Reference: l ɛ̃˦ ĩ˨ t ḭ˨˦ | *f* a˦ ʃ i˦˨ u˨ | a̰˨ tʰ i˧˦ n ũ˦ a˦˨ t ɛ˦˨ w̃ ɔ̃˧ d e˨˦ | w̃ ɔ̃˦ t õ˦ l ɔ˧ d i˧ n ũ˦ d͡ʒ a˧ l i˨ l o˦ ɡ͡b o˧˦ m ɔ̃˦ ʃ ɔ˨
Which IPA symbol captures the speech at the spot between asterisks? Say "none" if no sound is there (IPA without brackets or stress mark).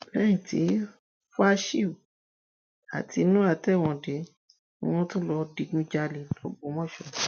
f